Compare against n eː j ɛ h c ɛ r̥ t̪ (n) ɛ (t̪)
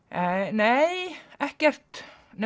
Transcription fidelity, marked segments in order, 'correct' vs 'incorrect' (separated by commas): correct, incorrect